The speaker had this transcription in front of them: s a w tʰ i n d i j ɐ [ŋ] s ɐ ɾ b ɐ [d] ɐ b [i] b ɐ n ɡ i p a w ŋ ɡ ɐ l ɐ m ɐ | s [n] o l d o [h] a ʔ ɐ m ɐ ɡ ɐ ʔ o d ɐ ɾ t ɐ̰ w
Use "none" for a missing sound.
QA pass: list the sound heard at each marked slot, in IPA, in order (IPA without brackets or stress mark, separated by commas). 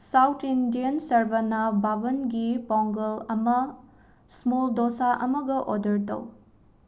n, n, a, m, s